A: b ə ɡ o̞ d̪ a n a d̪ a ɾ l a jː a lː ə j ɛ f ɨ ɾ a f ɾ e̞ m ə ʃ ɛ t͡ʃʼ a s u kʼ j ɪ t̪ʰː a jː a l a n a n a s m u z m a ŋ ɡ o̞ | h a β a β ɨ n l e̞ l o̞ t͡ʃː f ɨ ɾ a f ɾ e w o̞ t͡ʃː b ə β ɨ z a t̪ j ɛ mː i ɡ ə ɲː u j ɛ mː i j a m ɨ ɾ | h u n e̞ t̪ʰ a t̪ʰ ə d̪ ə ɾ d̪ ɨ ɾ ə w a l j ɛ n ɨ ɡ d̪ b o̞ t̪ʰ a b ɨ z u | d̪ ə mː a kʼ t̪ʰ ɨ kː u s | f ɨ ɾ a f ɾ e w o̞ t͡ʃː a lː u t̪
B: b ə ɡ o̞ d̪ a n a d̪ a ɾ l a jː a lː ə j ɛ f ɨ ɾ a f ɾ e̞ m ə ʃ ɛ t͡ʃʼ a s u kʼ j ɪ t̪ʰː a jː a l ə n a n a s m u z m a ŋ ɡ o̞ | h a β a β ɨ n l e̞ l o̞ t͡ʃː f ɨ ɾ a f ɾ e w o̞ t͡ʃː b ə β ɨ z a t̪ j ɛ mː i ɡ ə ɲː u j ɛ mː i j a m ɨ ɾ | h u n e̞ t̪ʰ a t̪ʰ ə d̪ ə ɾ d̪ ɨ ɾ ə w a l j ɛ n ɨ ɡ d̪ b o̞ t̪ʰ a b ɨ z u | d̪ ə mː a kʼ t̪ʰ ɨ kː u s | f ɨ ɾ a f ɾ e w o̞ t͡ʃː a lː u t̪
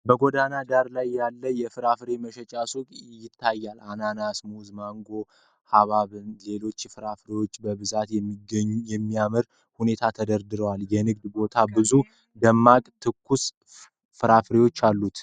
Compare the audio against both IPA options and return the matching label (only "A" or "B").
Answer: A